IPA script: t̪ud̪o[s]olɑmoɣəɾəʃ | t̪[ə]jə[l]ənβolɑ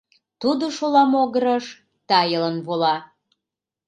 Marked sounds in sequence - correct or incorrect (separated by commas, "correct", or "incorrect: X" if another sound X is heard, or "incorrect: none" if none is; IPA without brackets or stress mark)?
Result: incorrect: ʃ, incorrect: ɑ, correct